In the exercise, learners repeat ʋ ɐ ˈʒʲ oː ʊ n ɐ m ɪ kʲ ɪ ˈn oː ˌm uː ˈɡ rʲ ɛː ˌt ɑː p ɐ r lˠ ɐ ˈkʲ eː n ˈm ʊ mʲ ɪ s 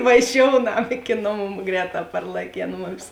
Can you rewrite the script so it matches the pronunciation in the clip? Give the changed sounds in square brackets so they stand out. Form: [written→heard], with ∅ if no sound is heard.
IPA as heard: ʋ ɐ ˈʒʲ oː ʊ n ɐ m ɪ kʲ ɪ ˈn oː ˌm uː ˈɡ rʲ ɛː ˌt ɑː p ɐ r lˠ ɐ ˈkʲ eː n ˈm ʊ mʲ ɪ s